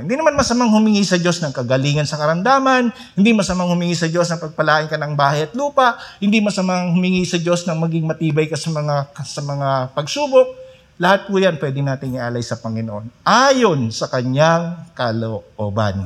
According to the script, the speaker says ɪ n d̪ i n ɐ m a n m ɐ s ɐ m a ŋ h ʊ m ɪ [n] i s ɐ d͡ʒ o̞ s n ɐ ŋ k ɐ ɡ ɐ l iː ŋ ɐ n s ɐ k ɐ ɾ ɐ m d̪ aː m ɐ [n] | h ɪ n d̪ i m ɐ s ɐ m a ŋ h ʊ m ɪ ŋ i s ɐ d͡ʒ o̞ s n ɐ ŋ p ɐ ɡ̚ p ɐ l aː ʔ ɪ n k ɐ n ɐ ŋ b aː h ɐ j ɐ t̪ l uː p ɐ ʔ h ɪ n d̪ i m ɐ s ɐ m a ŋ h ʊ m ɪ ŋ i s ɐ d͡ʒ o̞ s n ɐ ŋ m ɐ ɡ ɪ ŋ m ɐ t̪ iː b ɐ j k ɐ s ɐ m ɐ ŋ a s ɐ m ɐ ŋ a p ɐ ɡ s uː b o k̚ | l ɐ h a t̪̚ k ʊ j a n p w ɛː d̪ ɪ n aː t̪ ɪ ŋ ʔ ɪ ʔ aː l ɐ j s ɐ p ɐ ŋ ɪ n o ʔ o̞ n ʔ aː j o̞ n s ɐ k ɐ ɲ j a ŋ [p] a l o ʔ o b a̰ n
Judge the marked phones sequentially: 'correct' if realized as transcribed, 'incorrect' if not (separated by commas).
incorrect, correct, incorrect